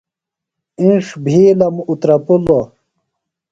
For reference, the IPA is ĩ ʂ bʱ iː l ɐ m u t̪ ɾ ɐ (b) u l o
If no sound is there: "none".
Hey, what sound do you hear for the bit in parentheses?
p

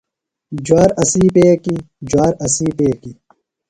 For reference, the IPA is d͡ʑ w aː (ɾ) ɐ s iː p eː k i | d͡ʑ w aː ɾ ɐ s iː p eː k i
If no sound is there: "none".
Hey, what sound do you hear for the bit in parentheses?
ɾ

